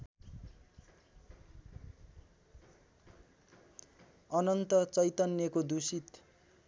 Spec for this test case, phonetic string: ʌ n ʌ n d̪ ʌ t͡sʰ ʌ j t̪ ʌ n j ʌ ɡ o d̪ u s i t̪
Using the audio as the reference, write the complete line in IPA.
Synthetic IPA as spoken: ʌ n ʌ n t̪ ʌ t͡s ʌ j t̪ ʌ n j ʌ k o d̪ u s i t̪

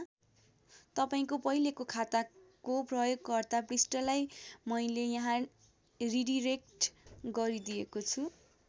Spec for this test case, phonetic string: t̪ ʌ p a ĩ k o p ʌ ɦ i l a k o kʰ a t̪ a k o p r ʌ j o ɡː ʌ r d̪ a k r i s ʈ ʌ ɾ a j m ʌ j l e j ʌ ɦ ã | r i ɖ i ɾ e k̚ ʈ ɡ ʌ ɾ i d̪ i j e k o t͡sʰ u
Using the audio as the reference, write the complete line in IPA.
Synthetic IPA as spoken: t̪ ʌ p a ĩ k o p ʌ ɦ i l e k o kʰ a t̪ a k o p r ʌ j o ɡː ʌ r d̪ a p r i s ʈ ʌ l a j m ʌ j l e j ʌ ɦ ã | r i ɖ i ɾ e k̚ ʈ ɡ ʌ ɾ i d̪ i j e k o t͡sʰ u

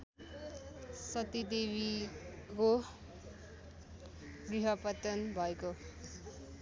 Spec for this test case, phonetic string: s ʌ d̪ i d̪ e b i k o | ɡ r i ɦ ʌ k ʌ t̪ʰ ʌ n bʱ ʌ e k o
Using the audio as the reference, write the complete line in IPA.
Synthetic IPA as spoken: s ʌ t̪ i d̪ e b i k o | ɡ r i ɦ ʌ p ʌ t̪ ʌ n bʱ ʌ e k o

